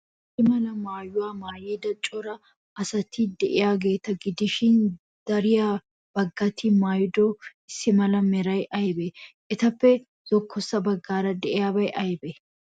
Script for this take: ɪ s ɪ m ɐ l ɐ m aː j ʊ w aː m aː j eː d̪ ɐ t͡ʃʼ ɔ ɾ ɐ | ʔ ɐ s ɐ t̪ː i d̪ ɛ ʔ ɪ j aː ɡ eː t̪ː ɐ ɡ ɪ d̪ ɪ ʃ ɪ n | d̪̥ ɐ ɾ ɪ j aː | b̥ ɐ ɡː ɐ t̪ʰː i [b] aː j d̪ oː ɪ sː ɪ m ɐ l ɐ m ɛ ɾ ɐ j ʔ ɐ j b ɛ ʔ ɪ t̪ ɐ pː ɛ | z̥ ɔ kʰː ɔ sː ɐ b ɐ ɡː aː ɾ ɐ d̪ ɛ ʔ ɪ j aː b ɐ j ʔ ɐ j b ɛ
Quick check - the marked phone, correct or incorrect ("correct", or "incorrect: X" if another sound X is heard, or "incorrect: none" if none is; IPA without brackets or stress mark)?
incorrect: m